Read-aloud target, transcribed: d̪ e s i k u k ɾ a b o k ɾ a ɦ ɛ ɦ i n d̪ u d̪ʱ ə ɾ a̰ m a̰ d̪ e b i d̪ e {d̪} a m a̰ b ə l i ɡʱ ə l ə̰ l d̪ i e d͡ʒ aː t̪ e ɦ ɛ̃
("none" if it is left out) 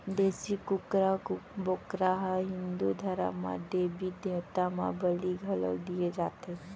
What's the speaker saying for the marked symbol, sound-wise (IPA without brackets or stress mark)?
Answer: t̪